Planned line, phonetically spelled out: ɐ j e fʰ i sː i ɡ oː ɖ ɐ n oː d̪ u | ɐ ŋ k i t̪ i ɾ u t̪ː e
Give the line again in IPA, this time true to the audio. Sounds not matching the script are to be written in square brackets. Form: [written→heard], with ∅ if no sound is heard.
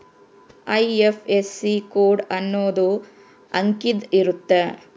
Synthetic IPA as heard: ɐ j e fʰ [i→e] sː i [ɡ→k] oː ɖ ɐ [n→nː] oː d̪ u | ɐ ŋ k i [t̪→d̪] i ɾ u t̪ː e